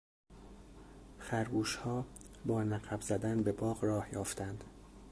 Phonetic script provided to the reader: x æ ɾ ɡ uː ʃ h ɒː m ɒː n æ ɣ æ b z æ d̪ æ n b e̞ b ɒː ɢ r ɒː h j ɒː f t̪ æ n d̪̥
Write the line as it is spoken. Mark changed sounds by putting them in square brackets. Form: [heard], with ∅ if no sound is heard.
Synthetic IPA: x æ ɾ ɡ uː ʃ h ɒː [b] ɒː n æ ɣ æ b z æ d̪ æ n b e̞ b ɒː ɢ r ɒː h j ɒː f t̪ æ n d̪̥